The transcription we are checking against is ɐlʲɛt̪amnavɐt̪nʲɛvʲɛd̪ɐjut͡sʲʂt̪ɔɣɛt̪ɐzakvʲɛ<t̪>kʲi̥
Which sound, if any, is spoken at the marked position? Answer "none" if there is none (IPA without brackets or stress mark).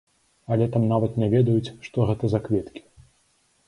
t̪